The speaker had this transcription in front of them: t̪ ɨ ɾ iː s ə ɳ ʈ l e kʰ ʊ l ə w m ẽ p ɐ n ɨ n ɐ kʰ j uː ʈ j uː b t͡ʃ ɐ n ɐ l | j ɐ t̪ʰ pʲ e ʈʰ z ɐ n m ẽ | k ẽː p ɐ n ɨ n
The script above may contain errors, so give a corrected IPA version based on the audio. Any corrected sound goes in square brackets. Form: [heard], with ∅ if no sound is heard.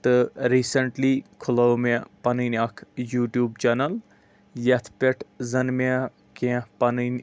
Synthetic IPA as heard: t̪ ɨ ɾ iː s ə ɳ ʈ l [i] kʰ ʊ l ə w m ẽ p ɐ n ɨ n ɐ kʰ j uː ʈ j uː b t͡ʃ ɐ n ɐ l | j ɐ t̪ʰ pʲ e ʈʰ z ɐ n m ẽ | k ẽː p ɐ n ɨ n